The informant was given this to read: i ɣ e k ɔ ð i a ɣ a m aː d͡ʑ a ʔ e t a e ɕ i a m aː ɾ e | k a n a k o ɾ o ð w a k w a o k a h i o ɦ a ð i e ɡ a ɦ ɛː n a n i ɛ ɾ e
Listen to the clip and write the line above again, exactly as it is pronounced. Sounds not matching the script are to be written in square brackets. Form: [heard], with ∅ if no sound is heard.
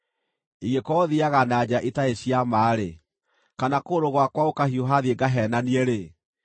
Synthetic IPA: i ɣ e k ɔ ð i a ɣ a [n] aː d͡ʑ a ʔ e t a e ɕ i a m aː ɾ e | k a n a k o ɾ o [ɣ] w a k w a o k a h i o ɦ a ð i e ɡ a ɦ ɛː n a n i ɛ ɾ e